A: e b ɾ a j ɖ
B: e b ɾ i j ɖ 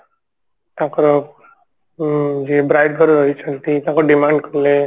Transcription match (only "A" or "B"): A